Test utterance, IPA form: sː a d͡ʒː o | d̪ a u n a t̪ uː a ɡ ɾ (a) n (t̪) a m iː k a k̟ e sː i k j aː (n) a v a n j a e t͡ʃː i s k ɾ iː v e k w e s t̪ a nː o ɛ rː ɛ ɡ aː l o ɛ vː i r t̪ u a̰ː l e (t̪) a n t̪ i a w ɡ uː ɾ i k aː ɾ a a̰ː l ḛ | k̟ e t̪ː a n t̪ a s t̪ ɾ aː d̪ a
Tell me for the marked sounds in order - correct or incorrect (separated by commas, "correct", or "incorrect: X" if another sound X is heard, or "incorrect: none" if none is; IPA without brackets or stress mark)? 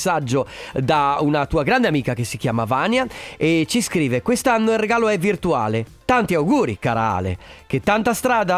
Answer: correct, incorrect: d̪, incorrect: m, correct